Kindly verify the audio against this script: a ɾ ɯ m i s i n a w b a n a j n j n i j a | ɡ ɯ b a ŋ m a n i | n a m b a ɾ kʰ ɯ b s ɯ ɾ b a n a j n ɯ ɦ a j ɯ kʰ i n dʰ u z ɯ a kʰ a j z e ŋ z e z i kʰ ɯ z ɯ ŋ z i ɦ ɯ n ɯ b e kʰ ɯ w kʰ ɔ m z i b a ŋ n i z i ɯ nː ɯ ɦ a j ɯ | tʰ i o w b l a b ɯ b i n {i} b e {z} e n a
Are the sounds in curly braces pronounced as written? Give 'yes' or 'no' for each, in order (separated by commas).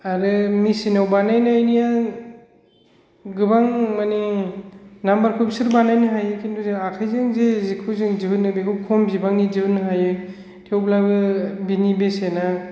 yes, no